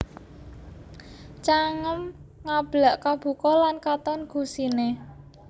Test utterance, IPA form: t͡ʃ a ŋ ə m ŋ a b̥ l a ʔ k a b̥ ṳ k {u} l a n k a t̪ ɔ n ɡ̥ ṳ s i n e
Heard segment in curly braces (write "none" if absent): ɔ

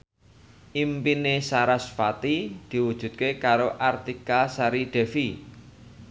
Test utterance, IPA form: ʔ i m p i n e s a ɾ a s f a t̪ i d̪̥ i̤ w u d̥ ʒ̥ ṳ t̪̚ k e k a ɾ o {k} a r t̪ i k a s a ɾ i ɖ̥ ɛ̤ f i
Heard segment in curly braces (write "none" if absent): ʔ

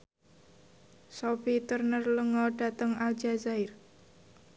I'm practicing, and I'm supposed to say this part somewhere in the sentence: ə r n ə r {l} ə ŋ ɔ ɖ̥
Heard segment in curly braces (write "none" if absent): l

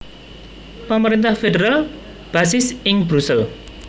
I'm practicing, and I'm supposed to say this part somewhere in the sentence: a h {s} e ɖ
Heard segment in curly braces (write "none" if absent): f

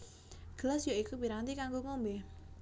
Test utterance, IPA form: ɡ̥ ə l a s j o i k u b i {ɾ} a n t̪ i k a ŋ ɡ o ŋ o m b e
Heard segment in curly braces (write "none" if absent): ɾ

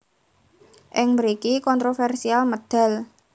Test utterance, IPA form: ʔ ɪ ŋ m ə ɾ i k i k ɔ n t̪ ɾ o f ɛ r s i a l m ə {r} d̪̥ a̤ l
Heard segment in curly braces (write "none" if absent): none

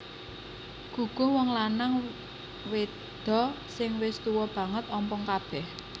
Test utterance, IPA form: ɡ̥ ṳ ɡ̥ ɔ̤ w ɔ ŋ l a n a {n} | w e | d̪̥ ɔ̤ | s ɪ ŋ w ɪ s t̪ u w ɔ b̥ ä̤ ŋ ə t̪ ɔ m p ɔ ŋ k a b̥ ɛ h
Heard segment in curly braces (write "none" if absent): ŋ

